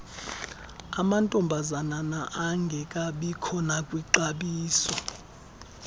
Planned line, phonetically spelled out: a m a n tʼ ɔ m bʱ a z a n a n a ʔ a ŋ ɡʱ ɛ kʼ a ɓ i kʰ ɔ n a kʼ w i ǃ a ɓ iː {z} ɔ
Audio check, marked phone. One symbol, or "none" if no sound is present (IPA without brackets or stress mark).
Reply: s